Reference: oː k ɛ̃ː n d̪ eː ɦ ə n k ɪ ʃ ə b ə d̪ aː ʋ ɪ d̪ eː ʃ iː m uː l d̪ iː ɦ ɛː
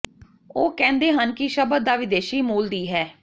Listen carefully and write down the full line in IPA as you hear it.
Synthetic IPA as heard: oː k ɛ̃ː n d̪ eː ɦ ə n k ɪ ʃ ə b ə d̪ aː ʋ ɪ d̪ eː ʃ iː m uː l d̪ iː ɦ ɛː